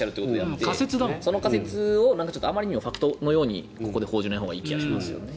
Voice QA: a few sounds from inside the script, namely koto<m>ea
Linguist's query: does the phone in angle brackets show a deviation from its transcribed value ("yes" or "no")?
yes